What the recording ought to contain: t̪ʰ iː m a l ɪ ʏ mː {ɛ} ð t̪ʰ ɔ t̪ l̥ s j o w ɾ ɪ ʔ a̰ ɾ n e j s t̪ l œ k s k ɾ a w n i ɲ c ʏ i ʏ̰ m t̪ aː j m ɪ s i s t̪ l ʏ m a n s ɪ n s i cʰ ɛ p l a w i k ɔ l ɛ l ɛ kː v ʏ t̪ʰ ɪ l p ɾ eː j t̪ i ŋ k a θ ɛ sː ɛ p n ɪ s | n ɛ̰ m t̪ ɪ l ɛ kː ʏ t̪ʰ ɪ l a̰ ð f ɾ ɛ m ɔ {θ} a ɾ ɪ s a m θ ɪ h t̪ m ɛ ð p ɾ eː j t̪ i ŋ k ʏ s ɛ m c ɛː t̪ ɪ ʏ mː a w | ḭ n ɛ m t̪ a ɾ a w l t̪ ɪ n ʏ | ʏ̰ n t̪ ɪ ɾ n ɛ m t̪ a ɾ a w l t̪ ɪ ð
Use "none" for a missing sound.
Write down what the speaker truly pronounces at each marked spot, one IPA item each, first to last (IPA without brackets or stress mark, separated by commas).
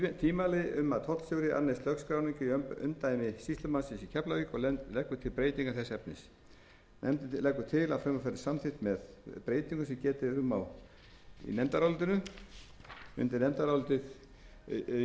a, f